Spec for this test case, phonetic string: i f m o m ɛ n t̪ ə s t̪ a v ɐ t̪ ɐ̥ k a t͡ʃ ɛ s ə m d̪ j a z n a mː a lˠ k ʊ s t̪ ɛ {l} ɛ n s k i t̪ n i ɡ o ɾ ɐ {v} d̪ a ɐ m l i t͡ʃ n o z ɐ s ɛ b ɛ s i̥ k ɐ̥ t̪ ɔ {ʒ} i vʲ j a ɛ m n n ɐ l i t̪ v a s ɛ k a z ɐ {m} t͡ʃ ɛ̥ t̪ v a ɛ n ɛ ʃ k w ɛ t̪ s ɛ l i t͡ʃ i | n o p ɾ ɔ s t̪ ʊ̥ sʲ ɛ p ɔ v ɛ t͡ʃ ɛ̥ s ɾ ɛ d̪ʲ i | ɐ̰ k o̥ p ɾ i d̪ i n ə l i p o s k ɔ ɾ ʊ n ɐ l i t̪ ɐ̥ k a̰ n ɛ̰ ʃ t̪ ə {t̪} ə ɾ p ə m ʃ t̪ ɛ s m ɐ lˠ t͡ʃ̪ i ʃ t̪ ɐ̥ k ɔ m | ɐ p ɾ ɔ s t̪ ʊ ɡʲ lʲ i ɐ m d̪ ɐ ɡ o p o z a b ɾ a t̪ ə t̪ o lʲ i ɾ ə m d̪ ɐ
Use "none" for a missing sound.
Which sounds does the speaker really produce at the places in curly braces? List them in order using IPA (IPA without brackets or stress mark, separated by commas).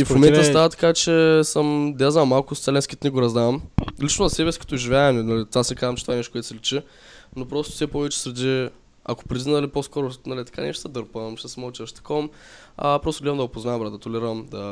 l, z, ʒ, m, d̪